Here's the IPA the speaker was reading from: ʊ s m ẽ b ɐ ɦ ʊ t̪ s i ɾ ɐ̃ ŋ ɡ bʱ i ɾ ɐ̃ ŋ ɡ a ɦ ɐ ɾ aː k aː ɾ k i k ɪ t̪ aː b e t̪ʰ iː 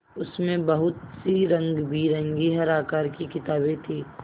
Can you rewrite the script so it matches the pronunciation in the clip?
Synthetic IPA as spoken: ʊ s m ẽ b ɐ ɦ ʊ t̪ s i ɾ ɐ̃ ŋ ɡ bʱ i ɾ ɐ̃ ŋ ɡ i ɦ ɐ ɾ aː k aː ɾ k i k ɪ t̪ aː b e t̪ʰ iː